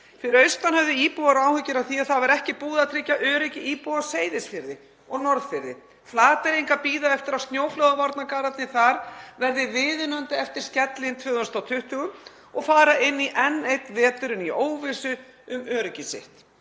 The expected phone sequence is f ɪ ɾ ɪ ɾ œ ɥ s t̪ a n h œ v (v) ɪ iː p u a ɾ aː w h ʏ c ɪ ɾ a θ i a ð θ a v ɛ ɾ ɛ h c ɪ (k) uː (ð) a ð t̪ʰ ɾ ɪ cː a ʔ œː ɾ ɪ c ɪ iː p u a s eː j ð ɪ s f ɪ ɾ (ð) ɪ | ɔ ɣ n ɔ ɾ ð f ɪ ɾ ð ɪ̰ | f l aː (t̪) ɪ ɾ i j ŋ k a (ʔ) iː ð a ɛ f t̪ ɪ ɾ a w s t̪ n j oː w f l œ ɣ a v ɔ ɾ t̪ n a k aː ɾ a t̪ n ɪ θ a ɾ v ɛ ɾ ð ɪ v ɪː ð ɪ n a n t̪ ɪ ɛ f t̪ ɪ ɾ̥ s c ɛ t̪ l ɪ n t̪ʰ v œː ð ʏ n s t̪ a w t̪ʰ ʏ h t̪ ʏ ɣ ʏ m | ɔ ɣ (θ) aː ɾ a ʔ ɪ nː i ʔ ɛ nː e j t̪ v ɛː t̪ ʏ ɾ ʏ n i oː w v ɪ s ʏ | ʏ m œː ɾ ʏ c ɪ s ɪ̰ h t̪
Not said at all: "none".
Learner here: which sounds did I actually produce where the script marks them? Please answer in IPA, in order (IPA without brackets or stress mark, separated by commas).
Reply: ð, p, ð, ð, t̪, p, f